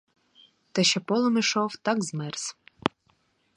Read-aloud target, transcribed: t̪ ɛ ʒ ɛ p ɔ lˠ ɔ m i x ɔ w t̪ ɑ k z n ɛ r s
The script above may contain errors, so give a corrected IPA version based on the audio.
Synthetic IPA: t̪ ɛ ʃ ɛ p ɔ lˠ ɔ m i ʃ ɔ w t̪ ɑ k z m ɛ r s